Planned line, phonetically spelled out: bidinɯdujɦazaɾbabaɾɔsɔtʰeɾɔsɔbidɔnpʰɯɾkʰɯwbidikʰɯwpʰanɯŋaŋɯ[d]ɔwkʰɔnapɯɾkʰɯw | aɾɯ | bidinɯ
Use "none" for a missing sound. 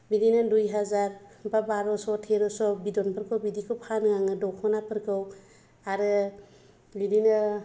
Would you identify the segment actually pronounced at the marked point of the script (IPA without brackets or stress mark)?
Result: d